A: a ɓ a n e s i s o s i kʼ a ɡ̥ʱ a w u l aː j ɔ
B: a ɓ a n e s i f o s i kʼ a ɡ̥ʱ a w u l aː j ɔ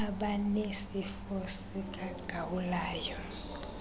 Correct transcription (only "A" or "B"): B